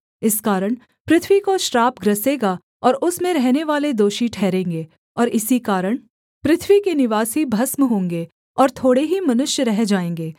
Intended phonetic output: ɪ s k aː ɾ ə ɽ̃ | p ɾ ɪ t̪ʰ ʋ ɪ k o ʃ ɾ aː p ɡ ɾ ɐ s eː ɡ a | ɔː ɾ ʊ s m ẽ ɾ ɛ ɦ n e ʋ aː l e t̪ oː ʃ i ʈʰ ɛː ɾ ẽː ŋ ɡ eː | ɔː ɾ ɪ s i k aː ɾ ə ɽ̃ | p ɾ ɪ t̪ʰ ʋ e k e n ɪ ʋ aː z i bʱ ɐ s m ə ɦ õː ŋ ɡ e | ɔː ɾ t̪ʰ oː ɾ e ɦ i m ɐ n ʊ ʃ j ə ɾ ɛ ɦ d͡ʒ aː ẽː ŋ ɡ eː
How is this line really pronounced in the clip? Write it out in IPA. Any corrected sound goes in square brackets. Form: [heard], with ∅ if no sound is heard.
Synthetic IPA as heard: ɪ s k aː ɾ ə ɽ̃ | p ɾ ɪ t̪ʰ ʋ [i] k o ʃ ɾ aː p ɡ ɾ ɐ s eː ɡ a | ɔː ɾ ʊ s m ẽ ɾ ɛ ɦ n e ʋ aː l e [d̪] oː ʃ i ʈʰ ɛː ɾ ẽː ŋ ɡ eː | ɔː ɾ ɪ s i k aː ɾ ə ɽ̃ | p ɾ ɪ t̪ʰ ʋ [i] k e n ɪ ʋ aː [s] i bʱ ɐ s m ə ɦ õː ŋ ɡ e | ɔː ɾ t̪ʰ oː [ɽ] e ɦ i m ɐ n ʊ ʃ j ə ɾ ɛ ɦ d͡ʒ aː ẽː ŋ ɡ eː

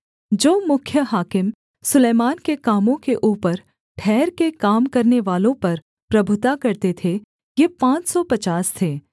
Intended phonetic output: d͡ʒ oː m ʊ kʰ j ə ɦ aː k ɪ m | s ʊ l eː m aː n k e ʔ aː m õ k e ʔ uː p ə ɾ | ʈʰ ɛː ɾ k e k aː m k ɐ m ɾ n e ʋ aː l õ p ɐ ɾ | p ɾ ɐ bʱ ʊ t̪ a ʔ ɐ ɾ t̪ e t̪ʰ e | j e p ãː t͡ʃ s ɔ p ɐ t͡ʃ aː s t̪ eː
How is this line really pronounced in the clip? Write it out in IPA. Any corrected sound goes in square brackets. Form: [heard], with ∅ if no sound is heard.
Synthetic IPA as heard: d͡ʒ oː m ʊ kʰ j ə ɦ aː k ɪ m | s ʊ l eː m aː n k e [k] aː m õ k e ʔ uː p ə ɾ | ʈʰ ɛː ɾ k e k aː m k ɐ [∅] ɾ n e ʋ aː l õ p ɐ ɾ | p ɾ ɐ bʱ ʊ t̪ a [k] ɐ ɾ t̪ e t̪ʰ e | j e p ãː t͡ʃ s ɔ p ɐ t͡ʃ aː s [t̪ʰ] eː

